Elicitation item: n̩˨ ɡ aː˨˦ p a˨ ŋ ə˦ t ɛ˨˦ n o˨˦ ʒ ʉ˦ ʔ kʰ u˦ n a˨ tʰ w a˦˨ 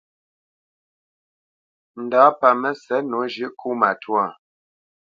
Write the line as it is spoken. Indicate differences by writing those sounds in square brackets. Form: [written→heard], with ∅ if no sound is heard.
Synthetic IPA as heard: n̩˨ [ɡ→d] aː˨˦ p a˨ [ŋ→m] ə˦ [t→s] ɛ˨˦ n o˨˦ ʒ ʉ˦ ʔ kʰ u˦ [n→m] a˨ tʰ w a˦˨